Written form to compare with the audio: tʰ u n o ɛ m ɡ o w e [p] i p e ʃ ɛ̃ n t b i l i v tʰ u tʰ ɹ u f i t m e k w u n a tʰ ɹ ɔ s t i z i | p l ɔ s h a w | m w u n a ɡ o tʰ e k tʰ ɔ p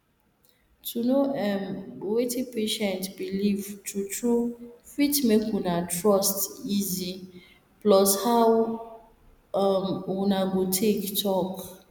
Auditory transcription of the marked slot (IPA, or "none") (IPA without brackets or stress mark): t